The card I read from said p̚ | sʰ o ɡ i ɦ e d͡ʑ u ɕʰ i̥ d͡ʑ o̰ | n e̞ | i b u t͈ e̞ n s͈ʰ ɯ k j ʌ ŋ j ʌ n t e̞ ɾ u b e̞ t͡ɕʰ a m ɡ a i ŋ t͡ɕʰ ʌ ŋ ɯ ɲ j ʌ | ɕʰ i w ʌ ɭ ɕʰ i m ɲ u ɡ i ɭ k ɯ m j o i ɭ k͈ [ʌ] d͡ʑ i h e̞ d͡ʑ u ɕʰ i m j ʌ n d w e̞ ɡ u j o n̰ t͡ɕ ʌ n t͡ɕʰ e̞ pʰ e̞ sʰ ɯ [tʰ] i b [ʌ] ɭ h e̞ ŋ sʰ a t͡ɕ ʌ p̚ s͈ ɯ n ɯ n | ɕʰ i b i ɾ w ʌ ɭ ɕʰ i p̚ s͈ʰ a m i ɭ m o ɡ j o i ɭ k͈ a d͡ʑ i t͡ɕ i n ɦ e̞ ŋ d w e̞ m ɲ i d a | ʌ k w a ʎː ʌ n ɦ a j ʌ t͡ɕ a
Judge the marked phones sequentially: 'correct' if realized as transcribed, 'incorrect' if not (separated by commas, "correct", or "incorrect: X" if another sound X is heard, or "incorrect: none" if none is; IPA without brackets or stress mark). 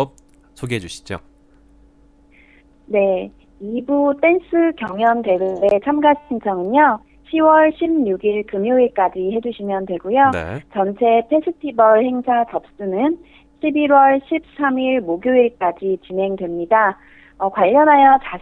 incorrect: a, correct, correct